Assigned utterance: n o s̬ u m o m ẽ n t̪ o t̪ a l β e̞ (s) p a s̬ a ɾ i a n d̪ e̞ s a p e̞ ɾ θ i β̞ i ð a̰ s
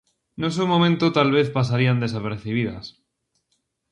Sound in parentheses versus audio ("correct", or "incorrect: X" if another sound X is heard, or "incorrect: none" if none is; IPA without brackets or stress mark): incorrect: θ